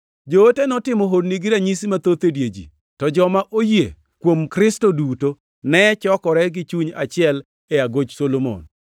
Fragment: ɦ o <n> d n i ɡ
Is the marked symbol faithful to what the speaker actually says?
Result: no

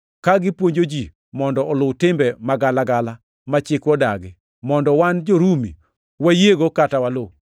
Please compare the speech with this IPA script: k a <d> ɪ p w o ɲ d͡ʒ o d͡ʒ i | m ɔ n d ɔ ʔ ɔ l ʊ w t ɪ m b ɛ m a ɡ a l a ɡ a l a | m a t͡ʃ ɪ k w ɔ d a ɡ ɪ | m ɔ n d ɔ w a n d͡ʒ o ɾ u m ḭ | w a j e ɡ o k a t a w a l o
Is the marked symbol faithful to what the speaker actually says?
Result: no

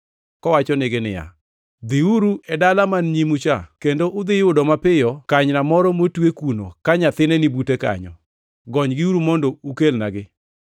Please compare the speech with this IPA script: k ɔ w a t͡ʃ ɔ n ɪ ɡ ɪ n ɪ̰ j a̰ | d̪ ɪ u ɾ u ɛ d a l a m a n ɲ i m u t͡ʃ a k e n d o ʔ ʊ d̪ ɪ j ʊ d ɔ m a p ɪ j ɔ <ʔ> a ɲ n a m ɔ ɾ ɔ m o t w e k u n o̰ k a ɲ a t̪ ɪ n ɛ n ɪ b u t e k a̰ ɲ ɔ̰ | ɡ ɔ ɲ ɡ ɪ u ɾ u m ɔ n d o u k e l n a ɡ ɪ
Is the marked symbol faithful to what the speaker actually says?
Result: no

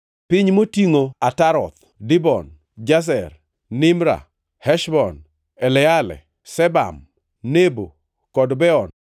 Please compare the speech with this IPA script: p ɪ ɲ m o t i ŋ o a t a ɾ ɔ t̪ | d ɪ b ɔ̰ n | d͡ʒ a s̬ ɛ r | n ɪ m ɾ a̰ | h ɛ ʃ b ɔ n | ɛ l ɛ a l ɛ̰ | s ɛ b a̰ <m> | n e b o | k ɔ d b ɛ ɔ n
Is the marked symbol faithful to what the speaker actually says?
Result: yes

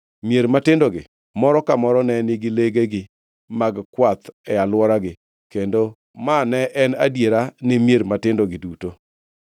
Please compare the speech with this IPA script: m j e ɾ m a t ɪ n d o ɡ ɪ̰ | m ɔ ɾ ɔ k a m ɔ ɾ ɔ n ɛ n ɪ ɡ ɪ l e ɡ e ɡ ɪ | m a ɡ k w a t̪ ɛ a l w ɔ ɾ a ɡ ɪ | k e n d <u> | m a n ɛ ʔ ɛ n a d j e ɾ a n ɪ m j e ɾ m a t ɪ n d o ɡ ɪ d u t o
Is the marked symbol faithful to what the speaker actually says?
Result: no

